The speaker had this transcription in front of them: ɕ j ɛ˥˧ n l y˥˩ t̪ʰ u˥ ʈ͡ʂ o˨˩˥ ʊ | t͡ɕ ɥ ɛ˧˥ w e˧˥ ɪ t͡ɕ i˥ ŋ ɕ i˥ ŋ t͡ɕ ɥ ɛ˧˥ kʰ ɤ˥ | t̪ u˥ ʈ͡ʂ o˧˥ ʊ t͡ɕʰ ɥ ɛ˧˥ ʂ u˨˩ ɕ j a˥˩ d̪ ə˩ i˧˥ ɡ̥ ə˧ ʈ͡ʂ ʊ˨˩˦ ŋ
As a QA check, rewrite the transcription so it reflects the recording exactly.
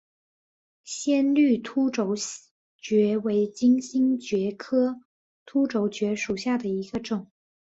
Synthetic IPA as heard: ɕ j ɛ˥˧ n l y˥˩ t̪ʰ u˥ ʈ͡ʂ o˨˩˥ ʊ | t͡ɕ ɥ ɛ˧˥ w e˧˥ ɪ t͡ɕ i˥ ŋ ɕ i˥ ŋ t͡ɕ ɥ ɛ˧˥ kʰ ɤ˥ | t̪ʰ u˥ ʈ͡ʂ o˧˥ ʊ t͡ɕ ɥ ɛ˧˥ ʂ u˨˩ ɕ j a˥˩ d̪ ə˩ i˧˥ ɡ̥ ə˧ ʈ͡ʂ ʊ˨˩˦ ŋ

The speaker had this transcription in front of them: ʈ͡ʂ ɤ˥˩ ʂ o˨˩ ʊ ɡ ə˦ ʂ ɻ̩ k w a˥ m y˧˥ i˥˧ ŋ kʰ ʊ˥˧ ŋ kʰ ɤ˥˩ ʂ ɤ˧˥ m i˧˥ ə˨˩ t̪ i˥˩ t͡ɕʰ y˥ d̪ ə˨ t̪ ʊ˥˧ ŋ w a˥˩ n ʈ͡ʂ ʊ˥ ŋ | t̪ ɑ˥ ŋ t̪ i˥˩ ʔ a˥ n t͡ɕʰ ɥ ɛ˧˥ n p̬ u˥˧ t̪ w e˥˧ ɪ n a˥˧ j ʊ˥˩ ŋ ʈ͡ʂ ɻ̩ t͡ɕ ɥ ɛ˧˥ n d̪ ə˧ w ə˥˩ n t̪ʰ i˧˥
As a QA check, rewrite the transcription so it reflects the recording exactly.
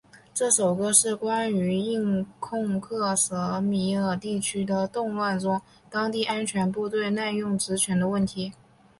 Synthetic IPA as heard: ʈ͡ʂ ɤ˥˩ ʂ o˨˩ ʊ ɡ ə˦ ʂ ɻ̩ k w a˥ n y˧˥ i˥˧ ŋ kʰ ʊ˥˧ ŋ kʰ ɤ˥˩ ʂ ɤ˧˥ m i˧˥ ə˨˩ t̪ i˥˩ t͡ɕʰ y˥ d̪ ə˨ t̪ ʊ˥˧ ŋ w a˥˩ n ʈ͡ʂ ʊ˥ ŋ | t̪ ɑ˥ ŋ t̪ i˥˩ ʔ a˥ n t͡ɕʰ ɥ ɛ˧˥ n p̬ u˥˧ t̪ w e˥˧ ɪ n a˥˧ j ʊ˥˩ ŋ ʈ͡ʂ ɻ̩ t͡ɕʰ ɥ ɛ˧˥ n d̪ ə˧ w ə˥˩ n t̪ʰ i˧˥

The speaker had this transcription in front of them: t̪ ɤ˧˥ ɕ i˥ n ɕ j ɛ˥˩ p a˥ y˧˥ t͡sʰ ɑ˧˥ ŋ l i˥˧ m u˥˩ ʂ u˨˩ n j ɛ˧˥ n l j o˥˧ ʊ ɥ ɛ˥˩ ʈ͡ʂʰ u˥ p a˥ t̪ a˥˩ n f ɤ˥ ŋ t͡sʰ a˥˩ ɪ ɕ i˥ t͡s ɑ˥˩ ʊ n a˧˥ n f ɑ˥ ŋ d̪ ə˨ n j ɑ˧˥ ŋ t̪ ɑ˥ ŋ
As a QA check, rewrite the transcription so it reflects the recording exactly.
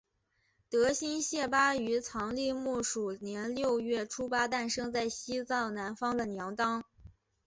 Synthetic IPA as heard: t̪ ɤ˧˥ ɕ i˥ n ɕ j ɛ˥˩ p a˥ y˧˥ t͡sʰ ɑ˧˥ ŋ l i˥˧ m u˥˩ ʂ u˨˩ n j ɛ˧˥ n l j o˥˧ ʊ ɥ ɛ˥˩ ʈ͡ʂʰ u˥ p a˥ t̪ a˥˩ n ʂ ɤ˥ ŋ t͡s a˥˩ ɪ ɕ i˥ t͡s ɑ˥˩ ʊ n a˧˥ n f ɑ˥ ŋ d̪ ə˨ n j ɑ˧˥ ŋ t̪ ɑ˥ ŋ

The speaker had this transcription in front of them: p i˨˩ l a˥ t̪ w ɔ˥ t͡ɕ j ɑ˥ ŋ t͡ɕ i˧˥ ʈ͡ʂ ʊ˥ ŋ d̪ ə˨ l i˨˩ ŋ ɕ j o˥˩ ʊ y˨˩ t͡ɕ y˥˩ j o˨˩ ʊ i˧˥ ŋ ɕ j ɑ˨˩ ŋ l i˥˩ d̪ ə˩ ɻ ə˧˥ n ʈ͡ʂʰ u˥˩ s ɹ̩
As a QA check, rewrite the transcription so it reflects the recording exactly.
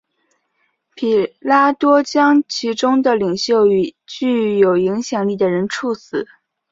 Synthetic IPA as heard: pʰ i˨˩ l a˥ t̪ w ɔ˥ t͡ɕ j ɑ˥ ŋ t͡ɕʰ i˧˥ ʈ͡ʂ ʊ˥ ŋ d̪ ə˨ l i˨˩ ŋ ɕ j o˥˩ ʊ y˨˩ t͡ɕ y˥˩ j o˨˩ ʊ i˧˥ ŋ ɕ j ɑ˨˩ ŋ l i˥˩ d̪ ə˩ ɻ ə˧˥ n ʈ͡ʂʰ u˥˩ s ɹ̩

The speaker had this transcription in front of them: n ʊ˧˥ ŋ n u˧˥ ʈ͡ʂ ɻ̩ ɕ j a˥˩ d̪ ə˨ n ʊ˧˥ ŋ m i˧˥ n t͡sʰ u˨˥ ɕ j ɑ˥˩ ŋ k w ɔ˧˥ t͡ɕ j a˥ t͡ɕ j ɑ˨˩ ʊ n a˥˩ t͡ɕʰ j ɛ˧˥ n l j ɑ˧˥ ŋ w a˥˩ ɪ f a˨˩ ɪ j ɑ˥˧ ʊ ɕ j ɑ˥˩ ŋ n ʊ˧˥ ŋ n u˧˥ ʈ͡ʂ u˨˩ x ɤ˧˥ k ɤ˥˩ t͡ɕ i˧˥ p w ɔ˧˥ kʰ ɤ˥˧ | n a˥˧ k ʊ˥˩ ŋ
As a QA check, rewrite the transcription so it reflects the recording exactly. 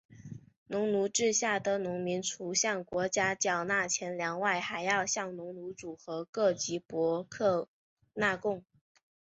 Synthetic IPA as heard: n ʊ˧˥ ŋ n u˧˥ ʈ͡ʂ ɻ̩ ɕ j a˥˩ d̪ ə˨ n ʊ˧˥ ŋ m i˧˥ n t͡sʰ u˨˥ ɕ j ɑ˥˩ ŋ k w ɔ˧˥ t͡ɕ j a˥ t͡ɕ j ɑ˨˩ ʊ n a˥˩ t͡ɕʰ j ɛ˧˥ n l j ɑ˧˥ ŋ w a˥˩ ɪ x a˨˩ ɪ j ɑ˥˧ ʊ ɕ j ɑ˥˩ ŋ n ʊ˧˥ ŋ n u˧˥ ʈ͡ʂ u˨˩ x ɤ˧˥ k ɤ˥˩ t͡ɕ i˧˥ p w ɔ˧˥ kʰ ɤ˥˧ | n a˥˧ k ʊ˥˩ ŋ

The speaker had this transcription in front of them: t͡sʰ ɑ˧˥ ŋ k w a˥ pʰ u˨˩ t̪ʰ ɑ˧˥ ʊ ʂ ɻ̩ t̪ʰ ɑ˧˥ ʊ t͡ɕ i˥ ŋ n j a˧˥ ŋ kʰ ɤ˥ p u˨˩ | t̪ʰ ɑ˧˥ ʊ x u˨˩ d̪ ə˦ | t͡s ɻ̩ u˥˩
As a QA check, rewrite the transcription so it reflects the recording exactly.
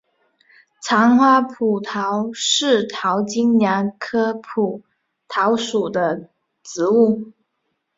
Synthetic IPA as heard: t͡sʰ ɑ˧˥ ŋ x w a˥ pʰ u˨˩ t̪ʰ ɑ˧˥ ʊ ʂ ɻ̩ t̪ʰ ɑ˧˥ ʊ t͡ɕ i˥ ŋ n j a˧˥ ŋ kʰ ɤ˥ pʰ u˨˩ | t̪ʰ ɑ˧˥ ʊ ʂ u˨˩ d̪ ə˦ | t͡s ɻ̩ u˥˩

